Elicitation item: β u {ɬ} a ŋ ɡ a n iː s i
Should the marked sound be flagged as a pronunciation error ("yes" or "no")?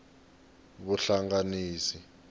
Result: no